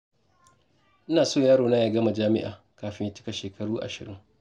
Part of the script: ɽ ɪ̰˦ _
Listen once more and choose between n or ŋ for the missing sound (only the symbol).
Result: ŋ